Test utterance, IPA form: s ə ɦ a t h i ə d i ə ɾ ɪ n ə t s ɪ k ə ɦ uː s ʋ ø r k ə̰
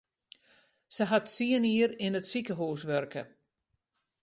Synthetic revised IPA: s ə ɦ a t s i ə n i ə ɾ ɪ n ə t s i k ə ɦ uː s ʋ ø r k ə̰